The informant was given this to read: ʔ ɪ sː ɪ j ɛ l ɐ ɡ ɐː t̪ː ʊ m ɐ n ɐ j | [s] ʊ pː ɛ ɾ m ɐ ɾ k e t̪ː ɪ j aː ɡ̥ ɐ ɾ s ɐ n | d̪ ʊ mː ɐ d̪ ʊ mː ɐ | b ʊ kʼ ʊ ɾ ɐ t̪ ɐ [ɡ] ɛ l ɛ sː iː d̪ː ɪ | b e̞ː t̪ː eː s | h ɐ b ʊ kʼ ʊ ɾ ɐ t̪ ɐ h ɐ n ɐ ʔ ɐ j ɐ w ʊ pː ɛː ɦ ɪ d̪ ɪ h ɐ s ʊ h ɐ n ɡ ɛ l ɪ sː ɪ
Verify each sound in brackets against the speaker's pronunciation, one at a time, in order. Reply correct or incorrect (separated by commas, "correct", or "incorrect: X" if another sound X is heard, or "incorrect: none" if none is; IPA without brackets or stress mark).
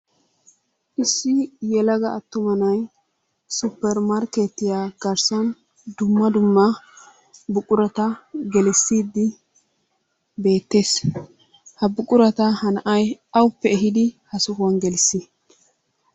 correct, correct